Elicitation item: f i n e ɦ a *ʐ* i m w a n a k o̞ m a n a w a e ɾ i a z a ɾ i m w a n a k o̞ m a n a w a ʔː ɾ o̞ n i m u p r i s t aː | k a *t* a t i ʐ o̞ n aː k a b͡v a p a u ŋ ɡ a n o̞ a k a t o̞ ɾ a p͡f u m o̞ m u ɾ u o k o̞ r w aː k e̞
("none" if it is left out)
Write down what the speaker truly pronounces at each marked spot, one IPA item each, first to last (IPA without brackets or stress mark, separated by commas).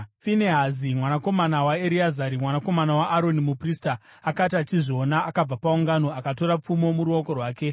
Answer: z, t